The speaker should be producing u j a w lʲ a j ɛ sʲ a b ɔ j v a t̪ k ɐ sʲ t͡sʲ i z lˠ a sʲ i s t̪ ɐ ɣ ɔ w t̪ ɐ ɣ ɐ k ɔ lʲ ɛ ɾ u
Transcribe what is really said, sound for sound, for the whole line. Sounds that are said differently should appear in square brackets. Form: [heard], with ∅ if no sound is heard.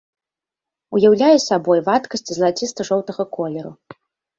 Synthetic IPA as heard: u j a w lʲ a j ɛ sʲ a b ɔ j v a t̪ k ɐ sʲ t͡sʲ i z lˠ a [t͡sʲ] i s t̪ ɐ [ʐ] ɔ w t̪ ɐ ɣ ɐ k ɔ lʲ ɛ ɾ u